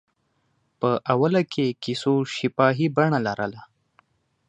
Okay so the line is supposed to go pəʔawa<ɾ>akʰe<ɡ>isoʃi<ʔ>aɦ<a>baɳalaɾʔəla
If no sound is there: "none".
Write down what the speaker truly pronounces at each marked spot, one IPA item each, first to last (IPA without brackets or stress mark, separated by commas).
l, k, p, i